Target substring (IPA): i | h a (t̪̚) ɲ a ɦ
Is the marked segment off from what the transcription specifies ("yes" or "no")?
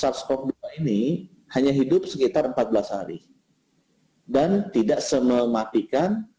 yes